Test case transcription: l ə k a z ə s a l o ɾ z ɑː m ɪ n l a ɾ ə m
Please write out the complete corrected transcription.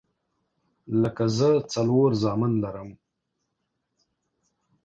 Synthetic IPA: l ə k a z ə t͡s a l o ɾ z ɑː m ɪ n l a ɾ ə m